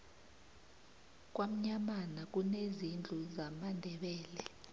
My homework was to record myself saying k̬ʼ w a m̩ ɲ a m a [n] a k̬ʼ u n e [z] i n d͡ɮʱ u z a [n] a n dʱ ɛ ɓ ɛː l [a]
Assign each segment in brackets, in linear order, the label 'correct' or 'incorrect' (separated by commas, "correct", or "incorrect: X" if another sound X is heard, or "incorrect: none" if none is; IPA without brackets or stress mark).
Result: correct, correct, incorrect: m, incorrect: ɛ